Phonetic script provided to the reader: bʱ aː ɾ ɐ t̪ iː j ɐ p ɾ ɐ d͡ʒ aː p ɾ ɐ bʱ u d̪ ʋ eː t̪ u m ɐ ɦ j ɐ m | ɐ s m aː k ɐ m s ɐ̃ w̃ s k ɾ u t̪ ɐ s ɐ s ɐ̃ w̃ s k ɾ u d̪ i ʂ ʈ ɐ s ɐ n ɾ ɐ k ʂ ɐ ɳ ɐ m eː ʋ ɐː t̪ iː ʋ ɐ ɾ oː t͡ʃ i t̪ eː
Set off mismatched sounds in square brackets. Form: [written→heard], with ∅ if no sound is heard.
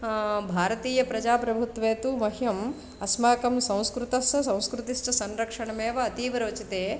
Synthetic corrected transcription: bʱ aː ɾ ɐ t̪ iː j ɐ p ɾ ɐ d͡ʒ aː p ɾ ɐ bʱ u [d̪→t̪] ʋ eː t̪ u m ɐ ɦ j ɐ m | ɐ s m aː k ɐ m s ɐ̃ w̃ s k ɾ u t̪ ɐ s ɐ s ɐ̃ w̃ s k ɾ u [d̪→t̪] i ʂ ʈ ɐ s ɐ n ɾ ɐ k ʂ ɐ ɳ ɐ m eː ʋ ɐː t̪ iː ʋ ɐ ɾ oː t͡ʃ i t̪ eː